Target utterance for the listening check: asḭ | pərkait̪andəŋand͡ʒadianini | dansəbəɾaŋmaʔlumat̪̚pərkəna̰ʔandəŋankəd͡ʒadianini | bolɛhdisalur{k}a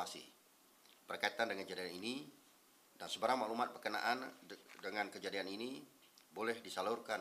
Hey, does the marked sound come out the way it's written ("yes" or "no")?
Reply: yes